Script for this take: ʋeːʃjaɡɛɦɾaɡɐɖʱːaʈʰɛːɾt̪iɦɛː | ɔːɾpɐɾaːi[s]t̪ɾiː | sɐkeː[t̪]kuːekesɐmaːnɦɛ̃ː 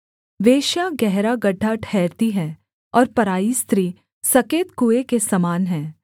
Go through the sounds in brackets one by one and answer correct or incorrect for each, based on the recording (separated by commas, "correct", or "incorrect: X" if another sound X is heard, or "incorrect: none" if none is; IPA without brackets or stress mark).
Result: correct, correct